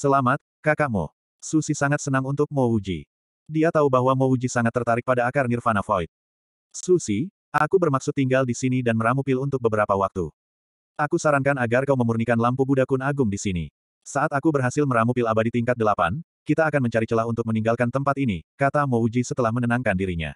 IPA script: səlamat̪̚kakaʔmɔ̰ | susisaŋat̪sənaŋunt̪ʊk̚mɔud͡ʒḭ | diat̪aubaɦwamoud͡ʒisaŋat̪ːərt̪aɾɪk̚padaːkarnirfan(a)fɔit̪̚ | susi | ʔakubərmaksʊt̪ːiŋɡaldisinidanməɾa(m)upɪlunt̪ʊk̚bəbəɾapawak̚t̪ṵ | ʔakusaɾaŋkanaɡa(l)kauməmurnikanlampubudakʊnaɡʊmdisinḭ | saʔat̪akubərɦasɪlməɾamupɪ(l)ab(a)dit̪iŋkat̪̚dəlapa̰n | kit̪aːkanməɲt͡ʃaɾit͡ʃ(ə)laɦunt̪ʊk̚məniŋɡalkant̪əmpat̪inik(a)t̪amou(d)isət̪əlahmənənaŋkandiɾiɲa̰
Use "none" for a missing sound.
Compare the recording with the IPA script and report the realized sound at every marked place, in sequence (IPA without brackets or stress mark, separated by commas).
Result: a, m, r, l, a, ə, a, d͡ʒ